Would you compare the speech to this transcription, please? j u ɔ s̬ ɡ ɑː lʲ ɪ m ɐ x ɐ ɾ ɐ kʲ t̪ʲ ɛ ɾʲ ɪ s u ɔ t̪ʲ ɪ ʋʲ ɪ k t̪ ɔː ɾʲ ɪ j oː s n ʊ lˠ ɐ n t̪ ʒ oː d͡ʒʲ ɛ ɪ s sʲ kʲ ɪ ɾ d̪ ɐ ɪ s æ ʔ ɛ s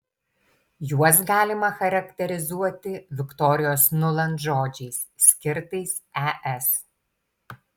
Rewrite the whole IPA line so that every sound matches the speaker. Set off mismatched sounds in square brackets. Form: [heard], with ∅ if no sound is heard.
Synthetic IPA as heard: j u ɔ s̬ ɡ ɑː lʲ ɪ m ɐ x ɐ ɾ ɐ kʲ t̪ʲ ɛ ɾʲ ɪ [z] u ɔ t̪ʲ ɪ ʋʲ ɪ k t̪ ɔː ɾʲ ɪ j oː s n ʊ lˠ ɐ n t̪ ʒ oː d͡ʒʲ ɛ ɪ s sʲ kʲ ɪ ɾ [t̪] ɐ ɪ s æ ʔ ɛ s